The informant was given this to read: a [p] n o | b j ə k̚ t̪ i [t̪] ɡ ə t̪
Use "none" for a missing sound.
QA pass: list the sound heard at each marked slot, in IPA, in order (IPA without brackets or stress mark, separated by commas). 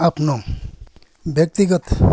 p, none